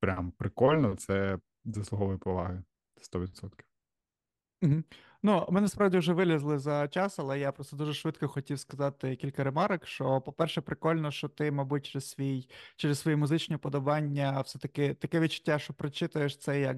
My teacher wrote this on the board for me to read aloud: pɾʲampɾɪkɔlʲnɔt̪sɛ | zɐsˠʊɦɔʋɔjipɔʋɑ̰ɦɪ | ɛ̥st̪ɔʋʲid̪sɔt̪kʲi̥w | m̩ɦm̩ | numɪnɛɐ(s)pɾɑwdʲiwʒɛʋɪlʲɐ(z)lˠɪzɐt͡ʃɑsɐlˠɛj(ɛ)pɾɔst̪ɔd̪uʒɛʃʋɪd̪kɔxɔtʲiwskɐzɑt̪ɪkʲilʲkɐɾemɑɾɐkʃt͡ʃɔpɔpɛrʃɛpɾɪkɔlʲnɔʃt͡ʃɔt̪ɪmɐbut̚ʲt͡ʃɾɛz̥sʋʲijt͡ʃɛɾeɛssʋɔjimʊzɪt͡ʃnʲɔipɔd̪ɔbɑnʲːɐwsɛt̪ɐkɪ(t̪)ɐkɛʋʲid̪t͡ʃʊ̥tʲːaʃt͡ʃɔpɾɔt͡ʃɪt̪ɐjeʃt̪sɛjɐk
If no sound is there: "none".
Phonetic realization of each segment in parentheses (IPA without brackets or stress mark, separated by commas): s, z, a, t̪